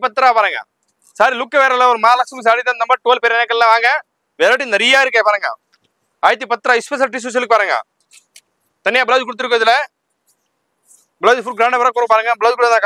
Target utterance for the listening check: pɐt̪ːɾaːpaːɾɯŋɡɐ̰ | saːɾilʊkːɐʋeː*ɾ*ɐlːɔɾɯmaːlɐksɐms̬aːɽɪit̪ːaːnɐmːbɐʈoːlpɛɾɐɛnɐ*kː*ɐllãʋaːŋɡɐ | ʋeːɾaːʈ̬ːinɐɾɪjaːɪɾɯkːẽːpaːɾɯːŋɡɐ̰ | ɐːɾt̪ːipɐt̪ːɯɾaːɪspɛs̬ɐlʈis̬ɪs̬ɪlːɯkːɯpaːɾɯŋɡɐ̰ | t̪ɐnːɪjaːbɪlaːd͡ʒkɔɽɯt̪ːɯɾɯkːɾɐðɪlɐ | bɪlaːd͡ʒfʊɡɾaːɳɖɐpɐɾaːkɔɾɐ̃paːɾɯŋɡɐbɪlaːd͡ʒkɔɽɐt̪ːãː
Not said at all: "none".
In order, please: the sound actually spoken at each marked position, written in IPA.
ɾ, kː

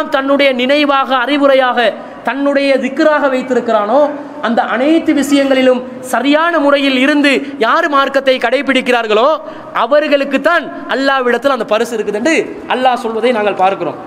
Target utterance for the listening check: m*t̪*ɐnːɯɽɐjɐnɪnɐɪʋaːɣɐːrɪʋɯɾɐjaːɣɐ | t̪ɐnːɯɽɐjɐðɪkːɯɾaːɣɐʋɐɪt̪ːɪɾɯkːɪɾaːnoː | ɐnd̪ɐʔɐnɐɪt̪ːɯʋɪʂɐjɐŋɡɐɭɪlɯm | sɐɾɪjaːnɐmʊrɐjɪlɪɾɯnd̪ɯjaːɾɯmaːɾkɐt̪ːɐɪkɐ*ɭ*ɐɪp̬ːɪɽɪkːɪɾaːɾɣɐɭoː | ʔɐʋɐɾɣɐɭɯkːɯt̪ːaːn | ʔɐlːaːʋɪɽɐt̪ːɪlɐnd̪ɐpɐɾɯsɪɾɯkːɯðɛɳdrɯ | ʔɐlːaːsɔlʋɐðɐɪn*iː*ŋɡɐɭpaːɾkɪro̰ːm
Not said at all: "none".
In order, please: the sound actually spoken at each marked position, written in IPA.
t̪, ɽ, aː

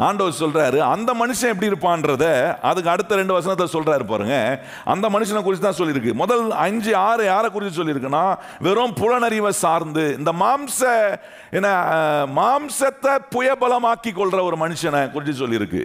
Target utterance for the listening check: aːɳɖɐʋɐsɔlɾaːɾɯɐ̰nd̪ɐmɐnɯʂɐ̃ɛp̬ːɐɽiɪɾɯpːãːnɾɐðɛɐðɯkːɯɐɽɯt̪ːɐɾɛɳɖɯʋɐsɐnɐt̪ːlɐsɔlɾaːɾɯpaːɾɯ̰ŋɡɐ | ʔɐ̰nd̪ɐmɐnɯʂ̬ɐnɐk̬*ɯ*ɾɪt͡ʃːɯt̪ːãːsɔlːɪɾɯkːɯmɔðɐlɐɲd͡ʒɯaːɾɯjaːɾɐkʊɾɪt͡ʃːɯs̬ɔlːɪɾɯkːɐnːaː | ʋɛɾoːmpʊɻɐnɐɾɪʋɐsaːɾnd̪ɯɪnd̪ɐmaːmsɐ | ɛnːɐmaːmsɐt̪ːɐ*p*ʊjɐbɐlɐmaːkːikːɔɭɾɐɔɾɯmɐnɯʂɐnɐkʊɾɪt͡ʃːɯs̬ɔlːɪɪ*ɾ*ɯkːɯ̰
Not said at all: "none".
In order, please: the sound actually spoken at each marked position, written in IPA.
ʊ, p, ɾ

